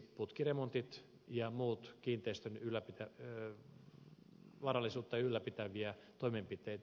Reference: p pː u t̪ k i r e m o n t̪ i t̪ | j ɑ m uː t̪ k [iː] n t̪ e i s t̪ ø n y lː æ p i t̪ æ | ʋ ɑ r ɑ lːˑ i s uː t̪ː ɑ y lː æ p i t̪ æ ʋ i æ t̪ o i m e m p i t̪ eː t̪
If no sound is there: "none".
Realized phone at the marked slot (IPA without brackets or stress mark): iː